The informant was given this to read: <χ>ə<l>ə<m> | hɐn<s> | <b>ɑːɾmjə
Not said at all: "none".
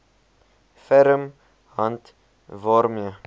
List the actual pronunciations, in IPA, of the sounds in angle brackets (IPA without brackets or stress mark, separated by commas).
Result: f, ɾ, m, t, v